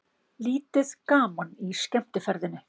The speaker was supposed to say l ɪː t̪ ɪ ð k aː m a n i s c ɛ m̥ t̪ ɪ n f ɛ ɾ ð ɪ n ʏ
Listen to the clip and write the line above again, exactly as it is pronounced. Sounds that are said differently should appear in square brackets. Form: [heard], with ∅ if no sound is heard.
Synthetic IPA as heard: l [iː] t̪ ɪ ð k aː m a n i s c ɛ m̥ t̪ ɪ [∅] f ɛ ɾ ð ɪ n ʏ